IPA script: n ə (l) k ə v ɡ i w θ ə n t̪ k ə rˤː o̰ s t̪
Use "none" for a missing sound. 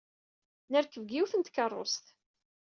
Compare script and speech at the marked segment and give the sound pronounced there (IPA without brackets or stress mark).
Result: ɾ